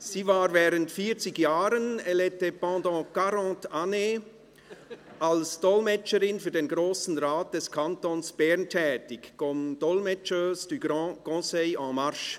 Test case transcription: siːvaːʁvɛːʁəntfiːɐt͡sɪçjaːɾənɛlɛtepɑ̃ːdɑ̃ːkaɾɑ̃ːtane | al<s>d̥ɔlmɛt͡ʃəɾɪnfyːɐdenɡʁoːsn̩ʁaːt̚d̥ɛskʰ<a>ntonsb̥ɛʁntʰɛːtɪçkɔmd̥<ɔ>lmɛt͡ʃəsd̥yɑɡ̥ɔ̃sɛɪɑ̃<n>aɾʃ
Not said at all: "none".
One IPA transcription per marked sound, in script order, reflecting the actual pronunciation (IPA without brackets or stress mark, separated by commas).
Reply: s, a, ɔ, m